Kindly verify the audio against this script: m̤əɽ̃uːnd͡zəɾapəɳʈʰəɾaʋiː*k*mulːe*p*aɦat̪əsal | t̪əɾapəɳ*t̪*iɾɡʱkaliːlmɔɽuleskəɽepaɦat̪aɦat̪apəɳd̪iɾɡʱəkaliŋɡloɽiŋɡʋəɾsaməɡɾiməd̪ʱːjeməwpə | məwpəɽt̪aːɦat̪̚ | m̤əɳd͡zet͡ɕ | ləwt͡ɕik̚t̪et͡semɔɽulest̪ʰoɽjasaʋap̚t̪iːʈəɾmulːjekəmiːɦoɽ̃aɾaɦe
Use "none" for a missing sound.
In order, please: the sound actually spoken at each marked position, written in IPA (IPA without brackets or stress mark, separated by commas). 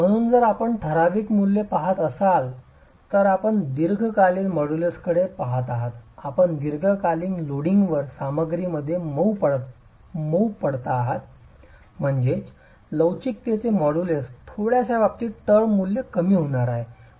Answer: k, p, d̪